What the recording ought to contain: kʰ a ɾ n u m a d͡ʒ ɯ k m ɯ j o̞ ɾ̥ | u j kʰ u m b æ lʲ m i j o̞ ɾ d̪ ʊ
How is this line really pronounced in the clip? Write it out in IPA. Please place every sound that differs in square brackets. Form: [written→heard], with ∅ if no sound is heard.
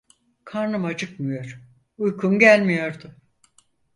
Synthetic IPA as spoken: kʰ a ɾ n [u→ɯ] m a d͡ʒ ɯ k m ɯ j o̞ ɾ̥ | u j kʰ u m [b→ɟ] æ lʲ m i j o̞ ɾ d̪ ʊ